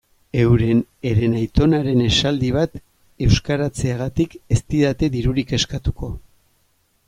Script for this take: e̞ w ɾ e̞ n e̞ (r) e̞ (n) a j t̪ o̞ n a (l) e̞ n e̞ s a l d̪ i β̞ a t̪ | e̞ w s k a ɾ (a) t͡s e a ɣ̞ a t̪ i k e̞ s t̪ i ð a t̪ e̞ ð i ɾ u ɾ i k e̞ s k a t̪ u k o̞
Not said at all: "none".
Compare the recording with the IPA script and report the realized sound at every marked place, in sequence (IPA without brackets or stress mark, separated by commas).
ɾ, n, ɾ, a